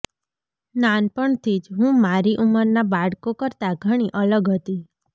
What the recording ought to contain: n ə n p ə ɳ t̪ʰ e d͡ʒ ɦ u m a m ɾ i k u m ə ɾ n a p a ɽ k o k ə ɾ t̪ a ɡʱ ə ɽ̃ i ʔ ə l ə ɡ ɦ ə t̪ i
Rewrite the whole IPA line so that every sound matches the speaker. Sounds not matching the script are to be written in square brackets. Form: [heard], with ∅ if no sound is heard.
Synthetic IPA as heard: n [a] n p ə ɳ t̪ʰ [i] d͡ʒ ɦ [ũ] m a [∅] ɾ i [ʔ] u m ə ɾ n a [b] a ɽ k o k ə ɾ t̪ a ɡʱ ə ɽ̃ i ʔ ə l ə ɡ ɦ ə t̪ i